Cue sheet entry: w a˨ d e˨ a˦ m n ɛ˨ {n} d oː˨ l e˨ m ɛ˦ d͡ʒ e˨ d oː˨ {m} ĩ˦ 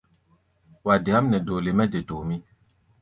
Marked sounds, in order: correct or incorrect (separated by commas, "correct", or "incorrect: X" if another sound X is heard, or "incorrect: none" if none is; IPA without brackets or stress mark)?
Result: incorrect: none, correct